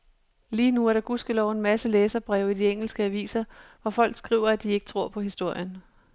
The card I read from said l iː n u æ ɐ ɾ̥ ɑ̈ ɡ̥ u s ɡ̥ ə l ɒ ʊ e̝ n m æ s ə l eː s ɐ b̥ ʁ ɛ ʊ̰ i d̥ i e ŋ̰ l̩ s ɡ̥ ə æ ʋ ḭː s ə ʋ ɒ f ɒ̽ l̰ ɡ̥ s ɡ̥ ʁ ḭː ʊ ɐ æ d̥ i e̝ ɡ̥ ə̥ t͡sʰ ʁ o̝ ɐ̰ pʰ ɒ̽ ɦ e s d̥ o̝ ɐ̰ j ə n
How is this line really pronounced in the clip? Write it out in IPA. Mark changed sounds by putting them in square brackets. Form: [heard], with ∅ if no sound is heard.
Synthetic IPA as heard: l iː n u æ ɐ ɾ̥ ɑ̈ ɡ̥ u s ɡ̥ ə l ɒ ʊ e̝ n m æ s ə l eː s ɐ b̥ ʁ ɛ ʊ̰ i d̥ i e ŋ̰ l̩ s ɡ̥ ə æ ʋ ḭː s [ɐ] ʋ ɒ f ɒ̽ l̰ ɡ̥ s ɡ̥ ʁ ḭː ʊ ɐ æ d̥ i e̝ ɡ̥ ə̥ t͡sʰ ʁ o̝ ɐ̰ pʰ ɒ̽ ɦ [i] s d̥ o̝ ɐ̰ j ə n